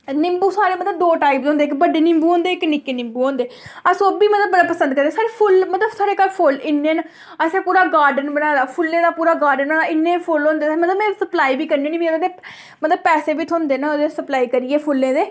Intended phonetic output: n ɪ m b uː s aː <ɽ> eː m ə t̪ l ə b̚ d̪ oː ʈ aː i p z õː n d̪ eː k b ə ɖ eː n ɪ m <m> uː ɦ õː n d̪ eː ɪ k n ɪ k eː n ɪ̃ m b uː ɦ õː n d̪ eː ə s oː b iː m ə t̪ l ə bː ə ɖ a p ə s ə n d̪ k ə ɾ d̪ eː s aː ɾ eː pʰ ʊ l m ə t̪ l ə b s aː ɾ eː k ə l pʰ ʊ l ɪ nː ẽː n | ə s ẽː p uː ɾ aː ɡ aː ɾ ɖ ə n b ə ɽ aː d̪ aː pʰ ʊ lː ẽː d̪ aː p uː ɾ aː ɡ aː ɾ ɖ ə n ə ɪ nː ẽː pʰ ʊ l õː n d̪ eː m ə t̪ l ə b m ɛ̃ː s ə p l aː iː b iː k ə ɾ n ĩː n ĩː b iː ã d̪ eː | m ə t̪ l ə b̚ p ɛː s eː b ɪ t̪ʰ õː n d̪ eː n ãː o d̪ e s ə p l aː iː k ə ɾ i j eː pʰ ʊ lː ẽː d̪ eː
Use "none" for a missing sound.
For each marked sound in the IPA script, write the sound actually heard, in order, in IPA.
ɾ, b

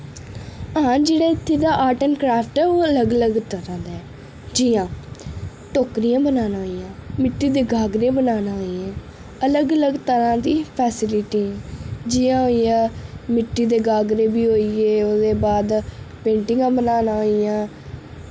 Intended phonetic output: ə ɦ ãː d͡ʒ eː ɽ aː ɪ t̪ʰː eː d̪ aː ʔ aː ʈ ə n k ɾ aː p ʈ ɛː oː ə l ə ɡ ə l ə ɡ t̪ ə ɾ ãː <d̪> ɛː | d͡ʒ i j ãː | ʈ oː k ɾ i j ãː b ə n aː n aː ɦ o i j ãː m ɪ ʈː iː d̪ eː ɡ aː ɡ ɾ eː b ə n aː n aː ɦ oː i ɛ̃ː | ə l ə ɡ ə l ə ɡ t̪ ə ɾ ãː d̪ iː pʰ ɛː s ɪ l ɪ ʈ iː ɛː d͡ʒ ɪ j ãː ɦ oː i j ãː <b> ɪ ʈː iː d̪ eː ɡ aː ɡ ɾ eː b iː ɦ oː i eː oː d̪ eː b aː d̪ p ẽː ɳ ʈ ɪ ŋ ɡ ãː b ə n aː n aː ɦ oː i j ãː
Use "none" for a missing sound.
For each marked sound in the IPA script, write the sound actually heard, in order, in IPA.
d̪, m

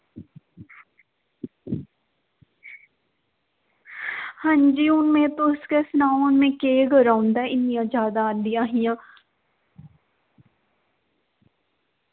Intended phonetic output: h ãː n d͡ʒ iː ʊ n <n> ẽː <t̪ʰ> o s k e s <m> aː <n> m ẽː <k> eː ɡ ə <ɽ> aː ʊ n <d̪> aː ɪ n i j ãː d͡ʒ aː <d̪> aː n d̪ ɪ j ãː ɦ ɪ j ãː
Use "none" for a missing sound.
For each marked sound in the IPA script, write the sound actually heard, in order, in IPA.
m, t̪, n, n, k, ɾ, d̪, d̪

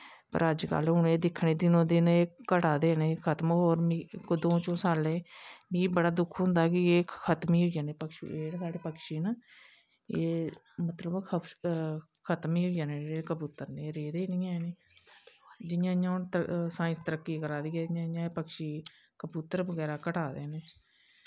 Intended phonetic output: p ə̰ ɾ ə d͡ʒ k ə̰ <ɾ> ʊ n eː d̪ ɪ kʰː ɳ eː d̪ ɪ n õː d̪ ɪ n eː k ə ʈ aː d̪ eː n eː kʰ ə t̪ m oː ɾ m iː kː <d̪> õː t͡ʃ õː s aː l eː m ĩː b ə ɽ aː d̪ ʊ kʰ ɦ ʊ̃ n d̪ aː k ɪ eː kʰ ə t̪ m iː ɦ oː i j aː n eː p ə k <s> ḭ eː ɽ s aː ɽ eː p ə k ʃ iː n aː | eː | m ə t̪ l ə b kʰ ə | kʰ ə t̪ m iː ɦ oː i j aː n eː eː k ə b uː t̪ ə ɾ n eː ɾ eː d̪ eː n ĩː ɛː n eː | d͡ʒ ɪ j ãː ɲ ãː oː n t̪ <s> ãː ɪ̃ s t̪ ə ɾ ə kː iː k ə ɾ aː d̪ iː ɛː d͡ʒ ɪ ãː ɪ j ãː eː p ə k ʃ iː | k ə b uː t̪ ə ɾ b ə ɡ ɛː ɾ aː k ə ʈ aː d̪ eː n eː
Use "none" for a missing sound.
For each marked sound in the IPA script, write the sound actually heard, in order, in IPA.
l, d̪, ʃ, s

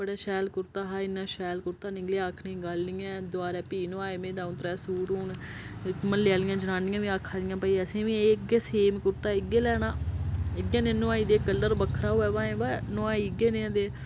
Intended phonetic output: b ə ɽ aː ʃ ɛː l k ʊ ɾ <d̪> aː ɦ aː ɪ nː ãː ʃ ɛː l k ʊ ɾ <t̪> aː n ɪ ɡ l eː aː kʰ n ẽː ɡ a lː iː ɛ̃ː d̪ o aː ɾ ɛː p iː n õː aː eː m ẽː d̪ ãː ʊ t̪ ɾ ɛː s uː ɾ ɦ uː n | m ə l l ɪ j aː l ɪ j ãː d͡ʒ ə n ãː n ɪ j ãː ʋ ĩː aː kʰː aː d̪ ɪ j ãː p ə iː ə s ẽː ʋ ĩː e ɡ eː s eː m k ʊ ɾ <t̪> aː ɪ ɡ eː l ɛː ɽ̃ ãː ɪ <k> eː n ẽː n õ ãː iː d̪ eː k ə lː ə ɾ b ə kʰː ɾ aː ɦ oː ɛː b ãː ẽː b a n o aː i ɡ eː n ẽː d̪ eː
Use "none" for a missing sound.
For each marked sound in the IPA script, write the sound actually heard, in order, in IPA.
t̪, t̪, t̪, ɡ

